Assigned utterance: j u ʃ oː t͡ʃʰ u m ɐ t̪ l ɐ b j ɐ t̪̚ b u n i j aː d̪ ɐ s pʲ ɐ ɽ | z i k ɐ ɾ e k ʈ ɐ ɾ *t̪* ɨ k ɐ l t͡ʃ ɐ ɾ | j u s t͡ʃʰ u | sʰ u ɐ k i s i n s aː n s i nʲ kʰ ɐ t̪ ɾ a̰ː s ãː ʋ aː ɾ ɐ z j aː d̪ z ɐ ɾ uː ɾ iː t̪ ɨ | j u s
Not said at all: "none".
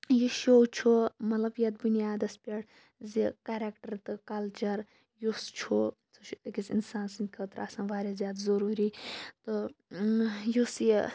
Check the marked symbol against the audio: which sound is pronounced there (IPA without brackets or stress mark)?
t̪